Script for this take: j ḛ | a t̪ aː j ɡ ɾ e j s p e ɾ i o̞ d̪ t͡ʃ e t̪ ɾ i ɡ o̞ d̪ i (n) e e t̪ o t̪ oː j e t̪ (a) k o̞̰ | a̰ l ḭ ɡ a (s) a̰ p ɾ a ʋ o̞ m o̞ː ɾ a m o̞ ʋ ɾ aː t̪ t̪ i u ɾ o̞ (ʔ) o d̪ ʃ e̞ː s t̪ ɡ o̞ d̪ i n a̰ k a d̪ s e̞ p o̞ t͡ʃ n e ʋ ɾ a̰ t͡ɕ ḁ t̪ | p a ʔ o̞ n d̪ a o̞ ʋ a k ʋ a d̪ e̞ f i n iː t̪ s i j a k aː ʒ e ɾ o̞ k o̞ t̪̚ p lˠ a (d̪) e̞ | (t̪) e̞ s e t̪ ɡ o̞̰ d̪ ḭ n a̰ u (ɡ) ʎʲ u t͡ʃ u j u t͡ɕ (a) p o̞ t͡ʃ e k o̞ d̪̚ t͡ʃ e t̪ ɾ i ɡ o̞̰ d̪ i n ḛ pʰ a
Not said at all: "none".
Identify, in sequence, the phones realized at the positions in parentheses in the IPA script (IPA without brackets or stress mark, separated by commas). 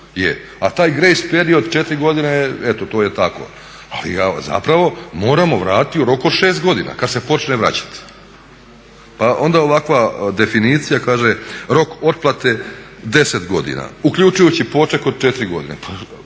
n, a, z, k, t̪, d̪, k, i